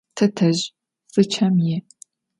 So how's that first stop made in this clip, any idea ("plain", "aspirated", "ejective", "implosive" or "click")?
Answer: aspirated